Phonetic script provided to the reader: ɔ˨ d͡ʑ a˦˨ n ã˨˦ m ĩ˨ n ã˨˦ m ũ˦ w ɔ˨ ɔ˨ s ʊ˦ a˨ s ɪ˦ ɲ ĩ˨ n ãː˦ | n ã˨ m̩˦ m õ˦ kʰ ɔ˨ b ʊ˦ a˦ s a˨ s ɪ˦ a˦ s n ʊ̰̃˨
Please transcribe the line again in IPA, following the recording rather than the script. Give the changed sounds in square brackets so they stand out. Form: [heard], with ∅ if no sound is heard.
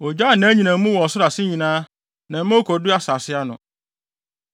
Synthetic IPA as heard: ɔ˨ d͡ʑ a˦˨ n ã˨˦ [ɲ] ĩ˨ n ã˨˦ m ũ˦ w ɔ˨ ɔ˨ s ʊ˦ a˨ s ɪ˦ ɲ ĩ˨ n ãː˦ | n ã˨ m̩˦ m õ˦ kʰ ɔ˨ [d] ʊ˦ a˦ s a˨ s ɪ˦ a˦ [∅] n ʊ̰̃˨

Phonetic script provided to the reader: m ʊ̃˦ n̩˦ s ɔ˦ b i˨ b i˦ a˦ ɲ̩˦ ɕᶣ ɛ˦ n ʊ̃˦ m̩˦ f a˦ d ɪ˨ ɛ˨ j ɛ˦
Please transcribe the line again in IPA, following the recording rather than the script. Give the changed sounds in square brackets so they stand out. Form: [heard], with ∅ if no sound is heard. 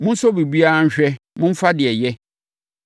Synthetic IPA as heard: m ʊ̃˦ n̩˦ s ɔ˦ b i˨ b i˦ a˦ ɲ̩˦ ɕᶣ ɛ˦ [m] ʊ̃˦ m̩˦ f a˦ d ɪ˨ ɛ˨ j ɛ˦

